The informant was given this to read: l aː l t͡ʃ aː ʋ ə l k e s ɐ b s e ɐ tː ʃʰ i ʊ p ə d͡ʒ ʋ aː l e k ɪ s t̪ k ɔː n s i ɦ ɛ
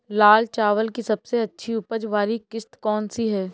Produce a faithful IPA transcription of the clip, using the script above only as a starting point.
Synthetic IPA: l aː l t͡ʃ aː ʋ ə l k i s ɐ b s e ɐ tː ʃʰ i ʊ p ə d͡ʒ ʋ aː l i k ɪ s t̪ k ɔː n s i ɦ ɛː